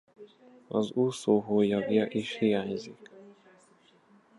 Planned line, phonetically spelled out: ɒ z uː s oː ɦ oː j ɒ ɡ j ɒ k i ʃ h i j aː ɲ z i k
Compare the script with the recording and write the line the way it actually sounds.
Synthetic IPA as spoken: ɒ z uː s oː ɦ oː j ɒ ɡ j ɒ ʔ i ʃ h i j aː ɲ z i k

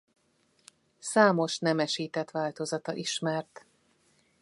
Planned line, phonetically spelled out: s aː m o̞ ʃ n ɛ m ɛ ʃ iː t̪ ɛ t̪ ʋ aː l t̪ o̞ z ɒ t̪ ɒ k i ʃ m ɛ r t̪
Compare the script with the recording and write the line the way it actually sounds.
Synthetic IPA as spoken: s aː m o̞ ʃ n ɛ m ɛ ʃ iː t̪ ɛ t̪ ʋ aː l t̪ o̞ z ɒ t̪ ɒ ʔ i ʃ m ɛ r t̪

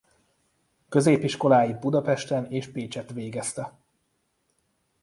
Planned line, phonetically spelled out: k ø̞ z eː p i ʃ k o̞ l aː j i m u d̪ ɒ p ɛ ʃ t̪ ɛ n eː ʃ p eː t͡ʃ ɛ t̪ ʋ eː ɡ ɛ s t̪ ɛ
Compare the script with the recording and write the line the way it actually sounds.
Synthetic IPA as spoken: k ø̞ z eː p i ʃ k o̞ l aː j i b u d̪ ɒ p ɛ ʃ t̪ ɛ n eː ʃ p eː t͡ʃ ɛ t̪ ʋ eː ɡ ɛ s t̪ ɛ

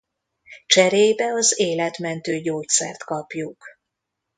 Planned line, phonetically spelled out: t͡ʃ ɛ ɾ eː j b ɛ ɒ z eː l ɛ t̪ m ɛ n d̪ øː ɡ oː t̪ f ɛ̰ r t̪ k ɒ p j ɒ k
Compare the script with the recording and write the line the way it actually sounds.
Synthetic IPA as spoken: t͡ʃ ɛ ɾ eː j b ɛ ɒ z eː l ɛ t̪ m ɛ n t̪ øː ɟ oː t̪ s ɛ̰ r t̪ k ɒ p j u k

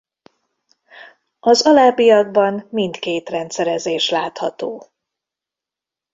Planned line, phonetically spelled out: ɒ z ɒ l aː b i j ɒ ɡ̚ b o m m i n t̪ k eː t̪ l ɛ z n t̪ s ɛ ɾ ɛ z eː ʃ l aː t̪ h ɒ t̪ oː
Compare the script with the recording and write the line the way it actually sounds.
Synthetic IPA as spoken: ɒ z ɒ l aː b i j ɒ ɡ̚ b ɒ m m i n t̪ k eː t̪ r ɛ n t̪ s ɛ ɾ ɛ z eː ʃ l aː t̪ h ɒ t̪ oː

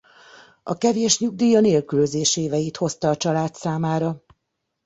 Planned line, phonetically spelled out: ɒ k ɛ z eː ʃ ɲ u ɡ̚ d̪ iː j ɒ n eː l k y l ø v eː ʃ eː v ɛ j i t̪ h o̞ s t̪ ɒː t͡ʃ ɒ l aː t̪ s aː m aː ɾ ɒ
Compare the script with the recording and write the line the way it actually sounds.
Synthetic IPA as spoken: ɒ k ɛ v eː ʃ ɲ u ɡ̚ d̪ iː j ɒ n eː l k y l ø z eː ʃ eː v ɛ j i t̪ h o̞ s t̪ ɒː t͡ʃ ɒ l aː t̪ s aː m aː ɾ ɒ

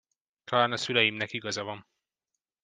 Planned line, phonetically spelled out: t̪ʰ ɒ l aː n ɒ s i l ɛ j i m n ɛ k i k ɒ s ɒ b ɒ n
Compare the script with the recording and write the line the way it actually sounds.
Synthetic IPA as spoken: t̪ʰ ɒ l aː n ɒ s y l ɛ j i m n ɛ k i ɡ ɒ z ɒ v ɒ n

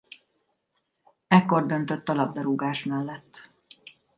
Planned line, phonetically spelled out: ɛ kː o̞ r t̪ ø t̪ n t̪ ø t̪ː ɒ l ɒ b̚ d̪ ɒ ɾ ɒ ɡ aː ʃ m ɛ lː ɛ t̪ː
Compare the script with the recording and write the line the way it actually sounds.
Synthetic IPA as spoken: ɛ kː o̞ r d̪ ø n t̪ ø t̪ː ɒ l ɒ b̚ d̪ ɒ ɾ u ɡ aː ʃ m ɛ lː ɛ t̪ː

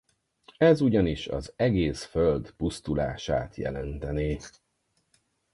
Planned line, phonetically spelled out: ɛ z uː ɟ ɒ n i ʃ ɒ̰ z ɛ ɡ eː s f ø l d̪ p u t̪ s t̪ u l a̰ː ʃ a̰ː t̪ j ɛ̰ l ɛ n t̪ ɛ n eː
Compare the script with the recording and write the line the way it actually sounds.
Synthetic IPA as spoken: ɛ z u ɟ ɒ n i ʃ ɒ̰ z ɛ ɡ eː s f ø l d̪ p u s t̪ u l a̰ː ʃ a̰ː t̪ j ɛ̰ l ɛ n t̪ ɛ n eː

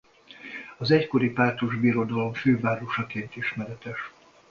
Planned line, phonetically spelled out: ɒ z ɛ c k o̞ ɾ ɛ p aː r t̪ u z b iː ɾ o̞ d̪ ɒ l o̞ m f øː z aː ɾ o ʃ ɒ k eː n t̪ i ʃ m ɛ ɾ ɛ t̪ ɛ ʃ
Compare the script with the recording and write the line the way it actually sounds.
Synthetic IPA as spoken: ɒ z ɛ c k o̞ ɾ i p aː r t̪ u ʒ b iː ɾ o̞ d̪ ɒ l o̞ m f øː v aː ɾ o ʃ ɒ k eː n t̪ i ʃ m ɛ ɾ ɛ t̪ ɛ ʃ

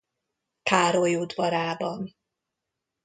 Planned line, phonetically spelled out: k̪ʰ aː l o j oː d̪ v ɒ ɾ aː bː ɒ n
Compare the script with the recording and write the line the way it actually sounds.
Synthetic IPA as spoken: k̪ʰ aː ɾ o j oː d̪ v ɒ ɾ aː b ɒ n

